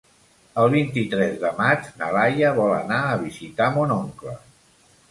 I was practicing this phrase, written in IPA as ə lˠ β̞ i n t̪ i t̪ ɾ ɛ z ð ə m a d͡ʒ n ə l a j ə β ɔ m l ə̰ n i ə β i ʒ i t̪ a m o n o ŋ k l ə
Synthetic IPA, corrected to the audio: ə lˠ β̞ i n t̪ i t̪ ɾ ɛ z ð ə m a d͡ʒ n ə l a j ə β ɔ l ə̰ n a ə β i z i t̪ a m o n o ŋ k l ə